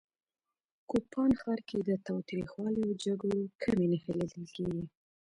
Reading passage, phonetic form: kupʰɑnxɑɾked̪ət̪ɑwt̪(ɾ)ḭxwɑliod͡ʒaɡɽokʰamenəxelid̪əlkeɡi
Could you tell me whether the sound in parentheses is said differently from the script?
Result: no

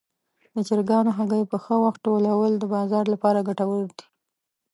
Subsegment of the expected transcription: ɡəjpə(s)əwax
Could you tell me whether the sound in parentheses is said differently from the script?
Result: yes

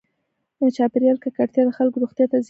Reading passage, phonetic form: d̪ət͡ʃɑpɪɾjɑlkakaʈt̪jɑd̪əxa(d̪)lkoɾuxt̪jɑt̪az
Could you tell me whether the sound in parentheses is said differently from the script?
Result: yes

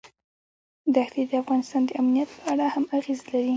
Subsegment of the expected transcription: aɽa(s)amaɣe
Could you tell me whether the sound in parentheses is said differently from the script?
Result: yes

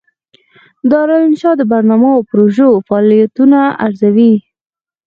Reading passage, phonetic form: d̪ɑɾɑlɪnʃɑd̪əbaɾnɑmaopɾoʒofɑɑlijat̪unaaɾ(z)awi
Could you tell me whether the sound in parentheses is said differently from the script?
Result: no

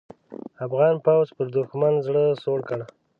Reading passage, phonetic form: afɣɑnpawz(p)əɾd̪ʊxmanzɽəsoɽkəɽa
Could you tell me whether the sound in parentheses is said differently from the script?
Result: no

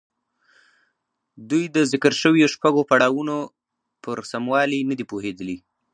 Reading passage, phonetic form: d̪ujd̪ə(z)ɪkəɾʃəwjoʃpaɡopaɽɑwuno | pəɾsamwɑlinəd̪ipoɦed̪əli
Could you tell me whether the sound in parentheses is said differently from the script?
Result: no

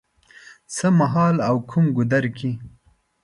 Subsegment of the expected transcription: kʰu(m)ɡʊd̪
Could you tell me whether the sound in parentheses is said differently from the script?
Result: no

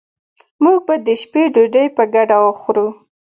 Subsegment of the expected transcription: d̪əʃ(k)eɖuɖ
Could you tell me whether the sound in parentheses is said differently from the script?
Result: yes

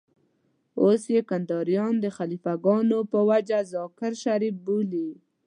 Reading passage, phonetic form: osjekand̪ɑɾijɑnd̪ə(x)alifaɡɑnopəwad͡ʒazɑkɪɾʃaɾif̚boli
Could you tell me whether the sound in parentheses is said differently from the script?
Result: no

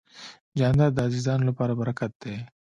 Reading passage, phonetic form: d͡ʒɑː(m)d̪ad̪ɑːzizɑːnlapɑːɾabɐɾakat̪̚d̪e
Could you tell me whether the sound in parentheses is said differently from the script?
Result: yes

